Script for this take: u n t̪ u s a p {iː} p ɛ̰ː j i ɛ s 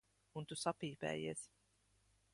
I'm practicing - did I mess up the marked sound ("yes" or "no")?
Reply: no